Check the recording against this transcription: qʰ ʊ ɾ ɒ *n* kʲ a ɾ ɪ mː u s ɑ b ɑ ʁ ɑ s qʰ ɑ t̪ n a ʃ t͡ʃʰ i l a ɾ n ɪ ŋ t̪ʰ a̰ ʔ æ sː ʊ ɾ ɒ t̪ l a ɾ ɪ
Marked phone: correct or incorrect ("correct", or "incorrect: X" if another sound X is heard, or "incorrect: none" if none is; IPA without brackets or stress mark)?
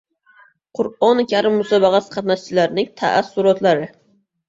correct